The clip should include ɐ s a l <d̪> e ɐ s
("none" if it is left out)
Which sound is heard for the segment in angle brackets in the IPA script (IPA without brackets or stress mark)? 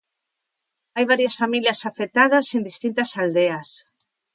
d̪